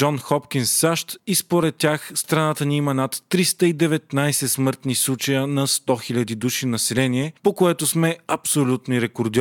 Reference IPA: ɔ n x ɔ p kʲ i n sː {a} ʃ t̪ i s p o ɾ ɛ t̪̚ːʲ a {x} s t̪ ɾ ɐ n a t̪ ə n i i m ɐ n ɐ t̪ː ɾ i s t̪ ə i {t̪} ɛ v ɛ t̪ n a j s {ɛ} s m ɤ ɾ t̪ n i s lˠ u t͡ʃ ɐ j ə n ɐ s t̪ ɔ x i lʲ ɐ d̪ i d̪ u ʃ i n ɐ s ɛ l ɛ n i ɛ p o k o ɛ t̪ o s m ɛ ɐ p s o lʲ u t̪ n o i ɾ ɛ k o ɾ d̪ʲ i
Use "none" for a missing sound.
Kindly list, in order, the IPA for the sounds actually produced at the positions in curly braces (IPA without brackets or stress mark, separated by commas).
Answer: a, x, d̪, ɛ